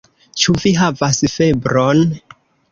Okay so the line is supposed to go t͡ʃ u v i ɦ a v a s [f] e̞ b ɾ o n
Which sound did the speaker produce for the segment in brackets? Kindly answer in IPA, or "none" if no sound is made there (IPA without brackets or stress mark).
f